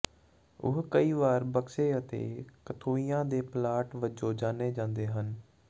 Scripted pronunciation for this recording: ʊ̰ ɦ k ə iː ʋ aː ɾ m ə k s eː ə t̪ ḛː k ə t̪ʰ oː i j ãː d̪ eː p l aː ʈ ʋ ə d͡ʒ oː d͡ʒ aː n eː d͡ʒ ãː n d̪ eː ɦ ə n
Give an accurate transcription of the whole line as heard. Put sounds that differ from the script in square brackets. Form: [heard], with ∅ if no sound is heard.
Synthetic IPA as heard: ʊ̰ ɦ k ə iː ʋ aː ɾ [b] ə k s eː ə t̪ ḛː k ə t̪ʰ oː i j ãː d̪ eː p l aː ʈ ʋ ə d͡ʒ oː d͡ʒ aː n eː d͡ʒ ãː n d̪ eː ɦ ə n